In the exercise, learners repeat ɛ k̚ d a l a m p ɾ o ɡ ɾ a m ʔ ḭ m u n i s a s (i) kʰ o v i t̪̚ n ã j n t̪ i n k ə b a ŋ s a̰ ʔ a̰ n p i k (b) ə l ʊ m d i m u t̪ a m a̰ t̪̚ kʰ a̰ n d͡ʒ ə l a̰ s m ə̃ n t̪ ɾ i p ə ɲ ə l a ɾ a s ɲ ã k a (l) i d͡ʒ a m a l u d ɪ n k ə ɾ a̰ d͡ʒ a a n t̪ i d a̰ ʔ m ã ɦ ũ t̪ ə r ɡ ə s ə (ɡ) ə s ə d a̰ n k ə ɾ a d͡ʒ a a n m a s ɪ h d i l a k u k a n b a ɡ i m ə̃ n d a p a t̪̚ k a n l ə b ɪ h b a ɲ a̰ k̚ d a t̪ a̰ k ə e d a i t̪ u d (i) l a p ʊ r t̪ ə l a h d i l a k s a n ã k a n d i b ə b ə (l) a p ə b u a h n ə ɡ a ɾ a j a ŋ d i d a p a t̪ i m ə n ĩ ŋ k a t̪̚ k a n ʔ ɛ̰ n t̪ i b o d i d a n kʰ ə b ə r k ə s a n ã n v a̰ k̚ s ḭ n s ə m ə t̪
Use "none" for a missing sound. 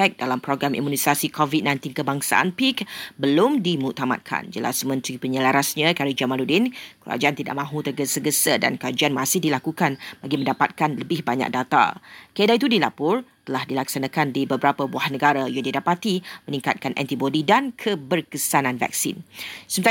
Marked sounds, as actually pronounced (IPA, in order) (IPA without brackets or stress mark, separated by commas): i, b, ɾ, ɡ, i, ɾ